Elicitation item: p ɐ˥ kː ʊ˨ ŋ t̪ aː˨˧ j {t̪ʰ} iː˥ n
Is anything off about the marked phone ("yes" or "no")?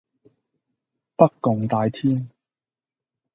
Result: no